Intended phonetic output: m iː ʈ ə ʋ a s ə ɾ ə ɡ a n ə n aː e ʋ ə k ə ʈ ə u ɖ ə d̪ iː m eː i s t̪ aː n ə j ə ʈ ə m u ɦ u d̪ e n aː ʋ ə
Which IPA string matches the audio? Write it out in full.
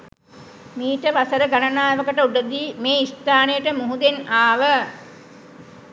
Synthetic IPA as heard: m iː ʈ ə ʋ a s ə ɾ ə ɡ a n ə n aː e ʋ ə k ə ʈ ə u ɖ ə d̪ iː m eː i s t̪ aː n ə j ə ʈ ə m u ɦ u d̪ e n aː ʋ ə